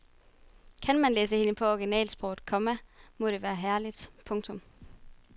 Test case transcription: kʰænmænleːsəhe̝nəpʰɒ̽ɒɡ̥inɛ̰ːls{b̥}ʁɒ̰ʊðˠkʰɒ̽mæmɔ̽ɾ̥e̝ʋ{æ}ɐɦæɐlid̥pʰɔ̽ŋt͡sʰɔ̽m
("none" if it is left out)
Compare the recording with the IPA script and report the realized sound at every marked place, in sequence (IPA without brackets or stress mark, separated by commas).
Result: b̥, æː